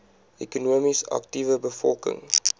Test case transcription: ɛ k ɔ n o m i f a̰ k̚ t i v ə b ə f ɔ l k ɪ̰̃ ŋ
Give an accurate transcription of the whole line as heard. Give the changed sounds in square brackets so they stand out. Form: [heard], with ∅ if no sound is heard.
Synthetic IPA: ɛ k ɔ n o m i [s] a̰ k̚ t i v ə b ə f ɔ l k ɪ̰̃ ŋ